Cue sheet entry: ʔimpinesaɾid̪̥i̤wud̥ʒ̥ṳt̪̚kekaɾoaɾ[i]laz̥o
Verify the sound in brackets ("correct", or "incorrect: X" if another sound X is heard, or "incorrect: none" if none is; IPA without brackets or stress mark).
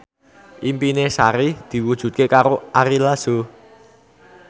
correct